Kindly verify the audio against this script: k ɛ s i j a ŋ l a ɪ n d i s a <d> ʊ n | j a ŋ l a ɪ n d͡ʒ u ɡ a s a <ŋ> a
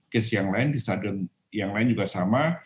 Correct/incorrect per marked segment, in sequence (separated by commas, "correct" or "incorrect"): correct, incorrect